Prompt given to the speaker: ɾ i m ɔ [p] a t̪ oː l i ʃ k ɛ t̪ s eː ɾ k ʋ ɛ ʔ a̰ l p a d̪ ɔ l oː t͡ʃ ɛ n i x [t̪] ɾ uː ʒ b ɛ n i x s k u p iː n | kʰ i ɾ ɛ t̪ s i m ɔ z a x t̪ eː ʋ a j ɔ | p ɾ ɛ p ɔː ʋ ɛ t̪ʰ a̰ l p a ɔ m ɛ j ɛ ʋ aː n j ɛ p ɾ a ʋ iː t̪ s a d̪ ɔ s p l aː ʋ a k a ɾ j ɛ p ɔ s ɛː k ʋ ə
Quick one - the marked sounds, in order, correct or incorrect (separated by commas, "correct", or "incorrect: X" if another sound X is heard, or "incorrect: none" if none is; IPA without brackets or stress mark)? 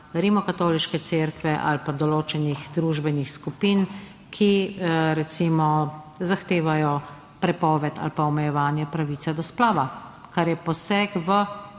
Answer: incorrect: k, incorrect: d̪